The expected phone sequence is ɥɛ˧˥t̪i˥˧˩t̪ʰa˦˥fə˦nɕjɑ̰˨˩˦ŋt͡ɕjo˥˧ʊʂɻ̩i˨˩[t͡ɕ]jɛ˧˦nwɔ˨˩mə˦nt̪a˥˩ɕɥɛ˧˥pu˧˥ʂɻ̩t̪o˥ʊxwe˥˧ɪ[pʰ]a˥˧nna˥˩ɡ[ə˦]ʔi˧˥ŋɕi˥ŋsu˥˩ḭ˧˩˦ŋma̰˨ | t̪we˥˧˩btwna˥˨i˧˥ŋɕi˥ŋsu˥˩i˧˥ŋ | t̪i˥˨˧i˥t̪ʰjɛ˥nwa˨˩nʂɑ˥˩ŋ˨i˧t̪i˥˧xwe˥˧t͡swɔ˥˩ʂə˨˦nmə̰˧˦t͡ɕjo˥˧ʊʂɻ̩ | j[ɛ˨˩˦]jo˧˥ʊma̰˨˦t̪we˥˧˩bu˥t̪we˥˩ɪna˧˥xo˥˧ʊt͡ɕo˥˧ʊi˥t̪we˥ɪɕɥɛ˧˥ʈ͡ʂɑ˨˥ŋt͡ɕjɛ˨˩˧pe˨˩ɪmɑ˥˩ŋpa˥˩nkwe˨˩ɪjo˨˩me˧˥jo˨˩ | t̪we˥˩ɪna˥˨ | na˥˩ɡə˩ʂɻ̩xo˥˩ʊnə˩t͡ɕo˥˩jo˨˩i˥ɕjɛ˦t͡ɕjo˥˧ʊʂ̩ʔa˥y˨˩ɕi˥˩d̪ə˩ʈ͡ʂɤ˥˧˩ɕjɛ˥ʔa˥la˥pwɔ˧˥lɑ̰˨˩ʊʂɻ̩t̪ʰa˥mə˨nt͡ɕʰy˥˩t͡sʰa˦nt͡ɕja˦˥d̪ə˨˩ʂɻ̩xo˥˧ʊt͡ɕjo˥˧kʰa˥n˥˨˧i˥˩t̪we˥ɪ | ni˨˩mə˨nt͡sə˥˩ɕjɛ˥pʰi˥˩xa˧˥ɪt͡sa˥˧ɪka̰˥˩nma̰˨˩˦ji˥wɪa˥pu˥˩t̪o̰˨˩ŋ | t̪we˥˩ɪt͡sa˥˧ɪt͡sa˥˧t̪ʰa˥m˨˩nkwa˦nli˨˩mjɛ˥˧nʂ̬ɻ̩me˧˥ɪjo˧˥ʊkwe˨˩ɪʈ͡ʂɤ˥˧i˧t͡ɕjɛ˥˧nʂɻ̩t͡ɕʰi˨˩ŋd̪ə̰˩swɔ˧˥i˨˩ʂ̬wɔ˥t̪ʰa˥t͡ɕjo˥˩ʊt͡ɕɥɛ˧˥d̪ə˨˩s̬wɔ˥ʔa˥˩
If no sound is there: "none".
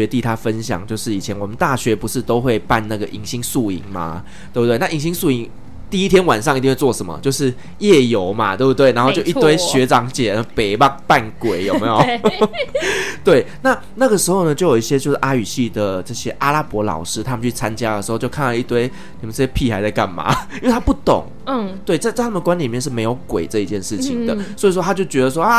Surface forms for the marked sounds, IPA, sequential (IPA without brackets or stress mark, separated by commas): t͡ɕʰ, p, ə˩, ɛ˥˩